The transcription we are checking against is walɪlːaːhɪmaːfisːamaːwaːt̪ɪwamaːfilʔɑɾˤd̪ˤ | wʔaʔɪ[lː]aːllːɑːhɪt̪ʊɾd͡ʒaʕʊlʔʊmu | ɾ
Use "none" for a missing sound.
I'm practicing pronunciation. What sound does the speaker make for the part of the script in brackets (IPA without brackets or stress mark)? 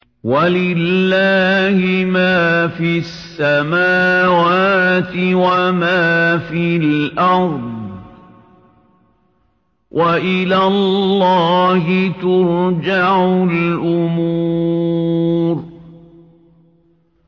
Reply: l